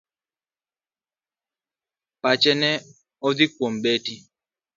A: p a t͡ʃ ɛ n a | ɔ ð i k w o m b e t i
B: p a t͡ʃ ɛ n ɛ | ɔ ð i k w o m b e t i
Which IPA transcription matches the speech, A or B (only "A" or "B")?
B